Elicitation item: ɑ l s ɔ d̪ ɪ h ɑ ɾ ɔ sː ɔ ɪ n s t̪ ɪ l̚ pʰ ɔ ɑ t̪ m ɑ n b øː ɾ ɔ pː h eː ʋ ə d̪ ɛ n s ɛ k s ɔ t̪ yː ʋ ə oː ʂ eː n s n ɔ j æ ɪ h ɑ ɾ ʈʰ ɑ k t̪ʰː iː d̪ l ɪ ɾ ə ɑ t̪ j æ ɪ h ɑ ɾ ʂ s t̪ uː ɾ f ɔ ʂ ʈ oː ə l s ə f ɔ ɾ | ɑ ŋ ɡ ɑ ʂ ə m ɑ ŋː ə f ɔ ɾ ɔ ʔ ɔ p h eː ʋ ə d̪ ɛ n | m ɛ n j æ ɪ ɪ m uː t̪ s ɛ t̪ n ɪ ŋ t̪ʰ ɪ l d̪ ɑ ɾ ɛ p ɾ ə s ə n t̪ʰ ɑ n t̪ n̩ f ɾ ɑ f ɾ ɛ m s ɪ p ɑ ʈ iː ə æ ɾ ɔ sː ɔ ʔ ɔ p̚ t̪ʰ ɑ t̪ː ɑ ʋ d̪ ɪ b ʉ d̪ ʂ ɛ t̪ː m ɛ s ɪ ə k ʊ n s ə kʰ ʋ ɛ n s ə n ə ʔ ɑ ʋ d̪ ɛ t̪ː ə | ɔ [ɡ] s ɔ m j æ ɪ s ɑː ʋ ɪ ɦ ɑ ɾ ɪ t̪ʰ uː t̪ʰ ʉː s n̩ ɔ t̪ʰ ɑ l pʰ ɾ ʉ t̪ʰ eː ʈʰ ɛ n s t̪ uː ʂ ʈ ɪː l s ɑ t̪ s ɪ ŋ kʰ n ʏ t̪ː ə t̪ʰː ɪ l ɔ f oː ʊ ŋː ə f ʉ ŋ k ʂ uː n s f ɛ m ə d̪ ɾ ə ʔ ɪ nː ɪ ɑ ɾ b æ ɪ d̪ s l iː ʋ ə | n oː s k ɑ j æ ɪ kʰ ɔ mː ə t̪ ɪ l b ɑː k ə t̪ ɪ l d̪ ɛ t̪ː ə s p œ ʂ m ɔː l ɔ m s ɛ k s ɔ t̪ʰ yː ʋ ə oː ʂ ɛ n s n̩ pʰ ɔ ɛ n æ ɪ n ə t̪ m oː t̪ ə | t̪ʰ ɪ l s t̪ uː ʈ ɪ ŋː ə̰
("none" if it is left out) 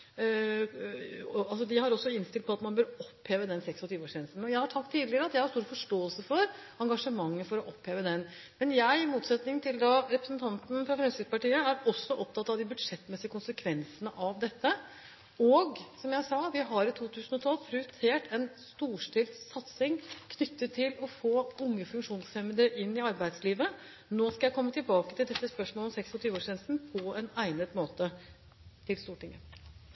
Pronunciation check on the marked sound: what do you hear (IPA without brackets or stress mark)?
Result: ɡ